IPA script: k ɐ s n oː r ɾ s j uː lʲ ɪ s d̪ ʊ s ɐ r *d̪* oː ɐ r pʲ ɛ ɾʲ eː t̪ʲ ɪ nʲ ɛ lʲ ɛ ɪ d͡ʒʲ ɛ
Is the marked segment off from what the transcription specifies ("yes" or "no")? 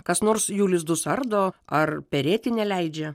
no